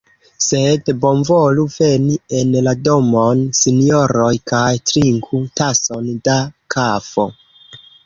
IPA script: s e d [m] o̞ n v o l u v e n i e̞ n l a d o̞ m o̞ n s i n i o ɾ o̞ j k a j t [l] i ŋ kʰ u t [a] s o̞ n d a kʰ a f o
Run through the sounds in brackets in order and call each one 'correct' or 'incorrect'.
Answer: incorrect: b, incorrect: ɾ, correct

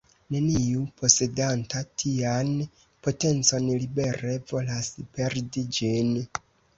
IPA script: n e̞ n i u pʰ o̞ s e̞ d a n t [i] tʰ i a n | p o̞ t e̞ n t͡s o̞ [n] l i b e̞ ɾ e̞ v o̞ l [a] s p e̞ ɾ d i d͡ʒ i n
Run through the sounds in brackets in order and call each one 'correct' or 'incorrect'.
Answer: incorrect: a, correct, correct

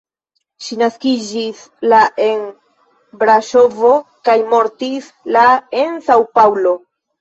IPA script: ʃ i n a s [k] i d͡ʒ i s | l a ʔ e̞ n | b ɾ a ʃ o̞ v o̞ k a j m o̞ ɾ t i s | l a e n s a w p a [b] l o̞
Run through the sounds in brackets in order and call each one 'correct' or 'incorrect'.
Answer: correct, incorrect: w

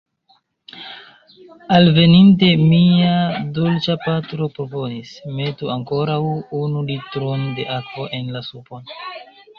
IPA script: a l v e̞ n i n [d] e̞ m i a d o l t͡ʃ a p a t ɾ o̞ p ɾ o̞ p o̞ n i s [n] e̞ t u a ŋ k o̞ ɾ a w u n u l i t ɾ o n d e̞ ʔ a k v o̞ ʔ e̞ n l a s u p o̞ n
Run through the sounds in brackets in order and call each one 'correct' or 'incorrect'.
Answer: incorrect: t, incorrect: m

